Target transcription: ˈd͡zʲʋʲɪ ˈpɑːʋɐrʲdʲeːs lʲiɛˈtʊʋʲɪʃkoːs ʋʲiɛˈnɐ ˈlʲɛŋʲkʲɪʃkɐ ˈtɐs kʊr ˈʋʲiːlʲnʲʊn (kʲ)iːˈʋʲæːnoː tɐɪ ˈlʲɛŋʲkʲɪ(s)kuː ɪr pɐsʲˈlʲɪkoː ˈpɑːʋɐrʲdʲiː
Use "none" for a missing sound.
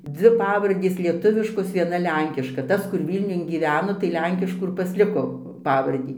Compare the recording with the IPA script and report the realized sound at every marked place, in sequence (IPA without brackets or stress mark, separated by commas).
ɡʲ, ʃ